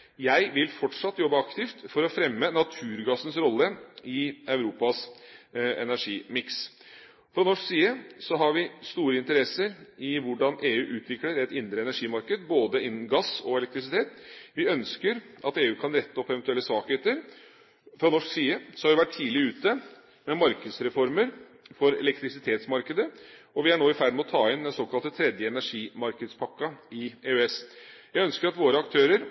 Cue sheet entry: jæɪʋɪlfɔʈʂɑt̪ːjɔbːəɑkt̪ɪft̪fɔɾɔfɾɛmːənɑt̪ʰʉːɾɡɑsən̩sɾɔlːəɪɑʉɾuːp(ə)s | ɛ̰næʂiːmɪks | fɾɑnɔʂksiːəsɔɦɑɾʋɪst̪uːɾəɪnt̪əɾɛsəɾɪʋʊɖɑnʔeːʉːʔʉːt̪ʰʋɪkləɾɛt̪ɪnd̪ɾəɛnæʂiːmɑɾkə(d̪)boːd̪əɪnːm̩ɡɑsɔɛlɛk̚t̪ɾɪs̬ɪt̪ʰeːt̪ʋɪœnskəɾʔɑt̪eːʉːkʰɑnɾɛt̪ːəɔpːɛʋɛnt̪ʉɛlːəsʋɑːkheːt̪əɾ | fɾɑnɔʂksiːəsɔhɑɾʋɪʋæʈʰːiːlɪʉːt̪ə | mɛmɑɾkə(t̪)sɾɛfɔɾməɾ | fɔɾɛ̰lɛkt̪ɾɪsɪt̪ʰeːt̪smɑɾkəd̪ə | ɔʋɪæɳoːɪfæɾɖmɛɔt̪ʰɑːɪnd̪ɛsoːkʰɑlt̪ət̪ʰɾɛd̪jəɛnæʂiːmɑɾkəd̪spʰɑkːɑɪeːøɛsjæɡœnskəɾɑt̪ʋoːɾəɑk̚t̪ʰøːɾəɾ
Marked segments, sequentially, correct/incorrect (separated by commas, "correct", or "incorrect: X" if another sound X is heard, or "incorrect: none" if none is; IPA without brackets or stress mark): incorrect: ɑ, correct, incorrect: d̪